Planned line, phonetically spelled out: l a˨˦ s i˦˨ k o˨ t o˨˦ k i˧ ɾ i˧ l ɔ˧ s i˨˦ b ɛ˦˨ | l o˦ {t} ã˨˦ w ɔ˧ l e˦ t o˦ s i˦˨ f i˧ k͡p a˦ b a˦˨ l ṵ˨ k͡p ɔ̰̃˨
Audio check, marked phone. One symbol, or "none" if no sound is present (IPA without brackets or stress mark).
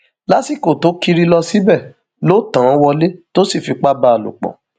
t